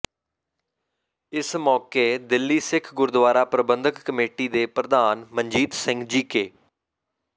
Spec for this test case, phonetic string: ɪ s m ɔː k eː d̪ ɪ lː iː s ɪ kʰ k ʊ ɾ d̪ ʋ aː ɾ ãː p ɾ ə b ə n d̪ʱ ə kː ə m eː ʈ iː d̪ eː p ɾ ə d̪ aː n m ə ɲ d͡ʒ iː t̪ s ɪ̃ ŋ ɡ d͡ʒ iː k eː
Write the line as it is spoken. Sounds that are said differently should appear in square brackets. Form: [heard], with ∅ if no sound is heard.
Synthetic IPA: ɪ s m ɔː k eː d̪ ɪ lː iː s ɪ kʰ [ɡ] ʊ ɾ d̪ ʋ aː ɾ [aː] p ɾ ə b ə n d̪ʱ ə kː ə m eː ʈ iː d̪ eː p ɾ ə d̪ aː n m ə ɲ d͡ʒ iː t̪ s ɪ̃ ŋ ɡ d͡ʒ iː k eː